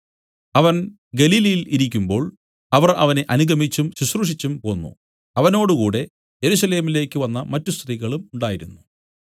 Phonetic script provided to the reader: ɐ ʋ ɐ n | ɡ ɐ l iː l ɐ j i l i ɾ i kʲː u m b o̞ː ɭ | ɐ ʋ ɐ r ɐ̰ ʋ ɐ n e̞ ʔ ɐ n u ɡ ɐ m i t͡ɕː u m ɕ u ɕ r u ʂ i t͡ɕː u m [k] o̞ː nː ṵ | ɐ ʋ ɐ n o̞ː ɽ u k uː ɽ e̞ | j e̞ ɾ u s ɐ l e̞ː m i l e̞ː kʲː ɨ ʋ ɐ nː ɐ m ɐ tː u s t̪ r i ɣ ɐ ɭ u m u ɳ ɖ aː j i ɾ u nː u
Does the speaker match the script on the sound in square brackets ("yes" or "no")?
no